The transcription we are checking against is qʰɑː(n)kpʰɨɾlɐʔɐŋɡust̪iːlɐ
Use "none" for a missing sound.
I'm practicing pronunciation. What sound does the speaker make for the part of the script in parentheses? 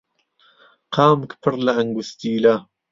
m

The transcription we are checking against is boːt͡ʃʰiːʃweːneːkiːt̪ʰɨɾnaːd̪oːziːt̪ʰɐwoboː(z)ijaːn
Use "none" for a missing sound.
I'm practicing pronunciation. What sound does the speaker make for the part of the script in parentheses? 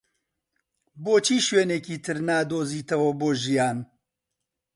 ʒ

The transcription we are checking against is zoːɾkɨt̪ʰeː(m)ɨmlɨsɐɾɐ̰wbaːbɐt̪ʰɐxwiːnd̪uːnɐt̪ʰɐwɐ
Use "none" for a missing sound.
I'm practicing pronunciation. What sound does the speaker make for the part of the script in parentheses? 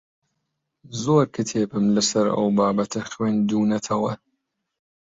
b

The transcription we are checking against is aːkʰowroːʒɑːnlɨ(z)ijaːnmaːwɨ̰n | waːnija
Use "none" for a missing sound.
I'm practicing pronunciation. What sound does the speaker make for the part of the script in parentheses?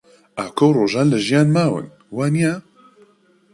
ʒ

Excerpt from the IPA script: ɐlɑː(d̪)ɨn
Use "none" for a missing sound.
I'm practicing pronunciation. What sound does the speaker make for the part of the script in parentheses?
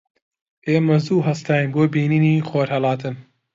t̪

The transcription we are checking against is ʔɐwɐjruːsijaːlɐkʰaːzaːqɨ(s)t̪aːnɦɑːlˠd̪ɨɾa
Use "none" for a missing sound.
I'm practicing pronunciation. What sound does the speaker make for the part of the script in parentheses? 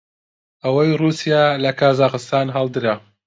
s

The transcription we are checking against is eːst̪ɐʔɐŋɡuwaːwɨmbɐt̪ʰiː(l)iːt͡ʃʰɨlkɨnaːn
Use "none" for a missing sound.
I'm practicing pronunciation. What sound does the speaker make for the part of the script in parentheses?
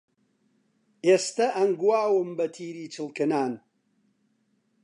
ɾ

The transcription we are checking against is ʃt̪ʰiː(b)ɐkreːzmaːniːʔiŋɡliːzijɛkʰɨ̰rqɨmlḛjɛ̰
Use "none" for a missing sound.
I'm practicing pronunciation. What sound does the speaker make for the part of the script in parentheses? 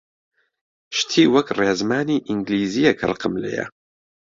w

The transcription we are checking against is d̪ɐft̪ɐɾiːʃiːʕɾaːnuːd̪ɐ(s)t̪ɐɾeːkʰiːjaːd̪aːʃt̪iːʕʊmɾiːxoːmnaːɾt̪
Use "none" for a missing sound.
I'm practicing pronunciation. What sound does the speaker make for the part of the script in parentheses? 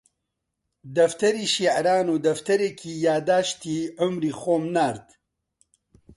f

